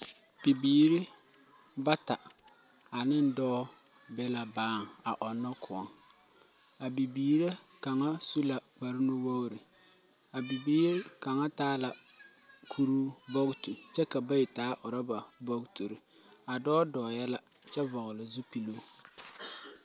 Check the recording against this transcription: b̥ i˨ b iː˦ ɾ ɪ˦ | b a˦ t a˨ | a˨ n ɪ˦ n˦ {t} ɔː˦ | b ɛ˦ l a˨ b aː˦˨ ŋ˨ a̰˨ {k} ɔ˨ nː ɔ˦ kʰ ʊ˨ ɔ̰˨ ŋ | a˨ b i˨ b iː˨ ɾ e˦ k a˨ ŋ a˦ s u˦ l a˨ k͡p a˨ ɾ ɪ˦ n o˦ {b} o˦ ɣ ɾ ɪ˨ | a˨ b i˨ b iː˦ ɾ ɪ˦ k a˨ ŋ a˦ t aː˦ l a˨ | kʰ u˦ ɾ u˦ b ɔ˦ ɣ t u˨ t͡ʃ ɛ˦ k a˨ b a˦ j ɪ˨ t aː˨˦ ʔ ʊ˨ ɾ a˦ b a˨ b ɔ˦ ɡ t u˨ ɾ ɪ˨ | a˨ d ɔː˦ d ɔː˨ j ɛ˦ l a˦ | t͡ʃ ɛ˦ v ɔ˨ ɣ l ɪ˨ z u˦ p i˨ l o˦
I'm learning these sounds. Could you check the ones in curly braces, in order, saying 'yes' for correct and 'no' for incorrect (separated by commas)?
no, no, no